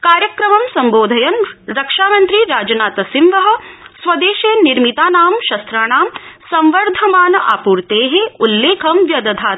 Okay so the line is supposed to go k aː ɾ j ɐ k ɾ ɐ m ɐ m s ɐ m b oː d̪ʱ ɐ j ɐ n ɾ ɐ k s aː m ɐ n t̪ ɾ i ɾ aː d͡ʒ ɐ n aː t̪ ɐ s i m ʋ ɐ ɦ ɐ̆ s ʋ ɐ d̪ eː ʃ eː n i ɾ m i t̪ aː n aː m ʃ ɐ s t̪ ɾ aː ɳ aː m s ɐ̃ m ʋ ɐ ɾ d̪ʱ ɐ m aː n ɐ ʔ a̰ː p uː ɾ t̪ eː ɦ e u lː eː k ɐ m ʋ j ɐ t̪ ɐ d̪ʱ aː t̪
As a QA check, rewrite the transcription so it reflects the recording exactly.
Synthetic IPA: k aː ɾ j ɐ k ɾ ɐ m ɐ m s ɐ m b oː d̪ʱ ɐ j ɐ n ɾ ɐ k ʂ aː m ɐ n t̪ ɾ i ɾ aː d͡ʒ ɐ n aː t̪ ɐ s i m ʋ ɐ ɦ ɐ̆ s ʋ ɐ d̪ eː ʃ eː n i ɾ m i t̪ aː n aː m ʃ ɐ s t̪ ɾ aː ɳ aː m s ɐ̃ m ʋ ɐ ɾ d̪ʱ ɐ m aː n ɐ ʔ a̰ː p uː ɾ t̪ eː ɦ e u lː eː kʰ ɐ m ʋ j ɐ d̪ ɐ d̪ʱ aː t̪

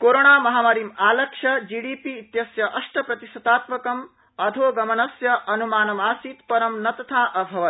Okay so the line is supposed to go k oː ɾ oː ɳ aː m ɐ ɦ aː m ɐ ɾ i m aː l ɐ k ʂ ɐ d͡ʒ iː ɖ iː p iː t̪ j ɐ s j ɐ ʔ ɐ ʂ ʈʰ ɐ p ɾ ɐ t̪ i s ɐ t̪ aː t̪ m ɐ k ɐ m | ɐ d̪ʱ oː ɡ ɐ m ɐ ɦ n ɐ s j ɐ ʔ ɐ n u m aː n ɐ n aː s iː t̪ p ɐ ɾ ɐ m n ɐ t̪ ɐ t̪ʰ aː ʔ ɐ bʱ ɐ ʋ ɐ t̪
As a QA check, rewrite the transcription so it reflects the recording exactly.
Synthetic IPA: k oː ɾ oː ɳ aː m ɐ ɦ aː m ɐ ɾ i m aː l ɐ k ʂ ɐ d͡ʒ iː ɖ iː p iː t̪ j ɐ s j ɐ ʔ ɐ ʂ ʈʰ ɐ p ɾ ɐ t̪ i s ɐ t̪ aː t̪ m ɐ k ɐ m | ɐ d̪ʱ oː ɡ ɐ m ɐ n ɐ s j ɐ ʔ ɐ n u m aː n ɐ m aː s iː t̪ p ɐ ɾ ɐ m n ɐ t̪ ɐ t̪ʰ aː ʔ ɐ bʱ ɐ ʋ ɐ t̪

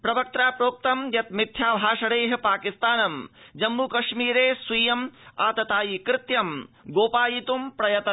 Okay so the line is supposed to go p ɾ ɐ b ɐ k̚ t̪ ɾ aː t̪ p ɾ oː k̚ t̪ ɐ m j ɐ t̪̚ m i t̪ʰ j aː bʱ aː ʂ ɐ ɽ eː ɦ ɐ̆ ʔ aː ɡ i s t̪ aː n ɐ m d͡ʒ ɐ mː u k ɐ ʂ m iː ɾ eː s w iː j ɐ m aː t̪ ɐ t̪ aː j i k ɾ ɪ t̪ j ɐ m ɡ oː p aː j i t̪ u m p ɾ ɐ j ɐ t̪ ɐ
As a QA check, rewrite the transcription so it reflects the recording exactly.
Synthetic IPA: p ɾ ɐ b ɐ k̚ t̪ ɾ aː p ɾ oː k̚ t̪ ɐ m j ɐ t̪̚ m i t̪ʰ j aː bʱ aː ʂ ɐ ɽ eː ɦ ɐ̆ p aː k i s t̪ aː n ɐ m d͡ʒ ɐ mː u k ɐ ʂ m iː ɾ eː s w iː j ɐ m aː t̪ ɐ t̪ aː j i k ɾ ɪ t̪ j ɐ m ɡ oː p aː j i t̪ u m p ɾ ɐ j ɐ t̪ ɐ

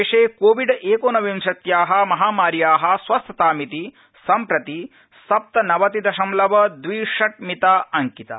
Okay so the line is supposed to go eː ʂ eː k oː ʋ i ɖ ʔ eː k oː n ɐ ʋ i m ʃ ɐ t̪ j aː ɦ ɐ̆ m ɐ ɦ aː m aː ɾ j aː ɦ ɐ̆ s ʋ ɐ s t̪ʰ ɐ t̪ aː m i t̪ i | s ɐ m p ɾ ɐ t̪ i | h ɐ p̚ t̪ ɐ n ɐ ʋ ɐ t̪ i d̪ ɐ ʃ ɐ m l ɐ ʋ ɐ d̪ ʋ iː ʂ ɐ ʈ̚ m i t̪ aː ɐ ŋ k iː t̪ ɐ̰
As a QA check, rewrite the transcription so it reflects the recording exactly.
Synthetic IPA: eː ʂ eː k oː ʋ i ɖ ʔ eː k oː n ɐ ʋ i m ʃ ɐ t̪ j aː ɦ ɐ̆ m ɐ ɦ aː m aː ɾ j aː ɦ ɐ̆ s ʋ ɐ s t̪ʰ ɐ t̪ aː m i t̪ i | s ɐ m p ɾ ɐ t̪ i | s ɐ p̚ t̪ ɐ n ɐ ʋ ɐ t̪ i d̪ ɐ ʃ ɐ m l ɐ ʋ ɐ d̪ ʋ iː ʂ ɐ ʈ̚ m i t̪ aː ɐ ŋ k i t̪ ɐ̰

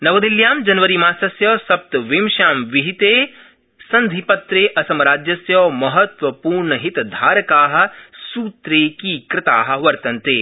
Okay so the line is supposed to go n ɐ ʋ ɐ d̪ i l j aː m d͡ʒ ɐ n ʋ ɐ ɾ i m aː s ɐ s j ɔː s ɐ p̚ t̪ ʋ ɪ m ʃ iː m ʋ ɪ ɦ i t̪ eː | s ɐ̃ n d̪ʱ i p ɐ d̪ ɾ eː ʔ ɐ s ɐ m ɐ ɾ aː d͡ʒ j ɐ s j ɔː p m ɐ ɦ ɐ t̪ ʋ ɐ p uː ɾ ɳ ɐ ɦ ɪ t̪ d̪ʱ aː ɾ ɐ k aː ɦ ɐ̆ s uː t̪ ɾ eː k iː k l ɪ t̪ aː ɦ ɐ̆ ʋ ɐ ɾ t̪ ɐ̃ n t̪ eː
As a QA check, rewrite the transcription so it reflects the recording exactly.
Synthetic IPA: n ɐ ʋ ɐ d̪ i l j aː m d͡ʒ ɐ n ʋ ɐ ɾ i m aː s ɐ s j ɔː s ɐ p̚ t̪ ʋ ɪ m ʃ aː m ʋ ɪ ɦ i t̪ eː | s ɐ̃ n d̪ʱ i p ɐ t̪ ɾ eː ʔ ɐ s ɐ m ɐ ɾ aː d͡ʒ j ɐ s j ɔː m ɐ ɦ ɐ t̪ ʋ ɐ p uː ɾ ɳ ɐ ɦ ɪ t̪ d̪ʱ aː ɾ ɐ k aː ɦ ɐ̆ s uː t̪ ɾ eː k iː k ɾ ɪ t̪ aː ɦ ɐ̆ ʋ ɐ ɾ t̪ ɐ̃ n t̪ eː

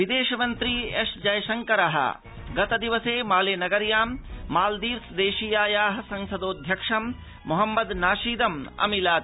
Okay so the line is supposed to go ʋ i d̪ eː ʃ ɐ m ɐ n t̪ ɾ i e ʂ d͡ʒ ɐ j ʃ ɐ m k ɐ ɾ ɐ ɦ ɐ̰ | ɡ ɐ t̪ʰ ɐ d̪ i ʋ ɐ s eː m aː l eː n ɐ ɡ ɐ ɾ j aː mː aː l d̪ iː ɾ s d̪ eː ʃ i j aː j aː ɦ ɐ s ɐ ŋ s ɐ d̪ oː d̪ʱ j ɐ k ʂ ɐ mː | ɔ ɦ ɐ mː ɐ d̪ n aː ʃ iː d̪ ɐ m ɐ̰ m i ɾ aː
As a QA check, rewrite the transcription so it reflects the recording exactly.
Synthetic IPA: ʋ i d̪ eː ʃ ɐ m ɐ n t̪ ɾ i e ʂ d͡ʒ ɐ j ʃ ɐ ŋ k ɐ ɾ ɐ ɦ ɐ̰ | ɡ ɐ t̪ ɐ d̪ i ʋ ɐ s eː m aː l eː n ɐ ɡ ɐ ɾ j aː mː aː l d̪ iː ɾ s d̪ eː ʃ i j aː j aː ɦ ɐ s ɐ ŋ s ɐ d̪ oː d̪ʱ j ɐ k ʂ ɐ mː | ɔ ɦ ɐ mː ɐ d̪ n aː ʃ iː d̪ ɐ m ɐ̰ m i l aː

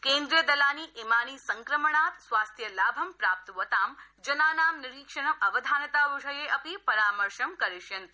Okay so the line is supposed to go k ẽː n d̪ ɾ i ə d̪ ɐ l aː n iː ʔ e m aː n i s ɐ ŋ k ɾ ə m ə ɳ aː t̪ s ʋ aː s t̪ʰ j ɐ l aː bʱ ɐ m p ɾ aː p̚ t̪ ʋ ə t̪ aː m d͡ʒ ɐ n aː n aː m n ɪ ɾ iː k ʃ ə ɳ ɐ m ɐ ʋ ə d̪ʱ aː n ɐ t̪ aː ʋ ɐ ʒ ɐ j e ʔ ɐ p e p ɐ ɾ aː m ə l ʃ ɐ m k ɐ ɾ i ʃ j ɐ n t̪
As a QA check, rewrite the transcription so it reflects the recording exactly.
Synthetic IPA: k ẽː n d̪ ɾ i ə d̪ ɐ l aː n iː ʔ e m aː n i s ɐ ŋ k ɾ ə m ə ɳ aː t̪ s ʋ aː s t̪ʰ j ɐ l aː bʱ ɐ m p ɾ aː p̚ t̪ ʋ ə t̪ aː m d͡ʒ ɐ n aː n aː m n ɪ ɾ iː k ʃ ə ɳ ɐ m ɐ ʋ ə d̪ʱ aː n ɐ t̪ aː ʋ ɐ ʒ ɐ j e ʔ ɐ p i p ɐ ɾ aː m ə ɾ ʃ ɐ m k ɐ ɾ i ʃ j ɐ n t̪

